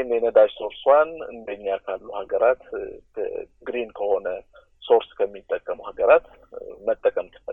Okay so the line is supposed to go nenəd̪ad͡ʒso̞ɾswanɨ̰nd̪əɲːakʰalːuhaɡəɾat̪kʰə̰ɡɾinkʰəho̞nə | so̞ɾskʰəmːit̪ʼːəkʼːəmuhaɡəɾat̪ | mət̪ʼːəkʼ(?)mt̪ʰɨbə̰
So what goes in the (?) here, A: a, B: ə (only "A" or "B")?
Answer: B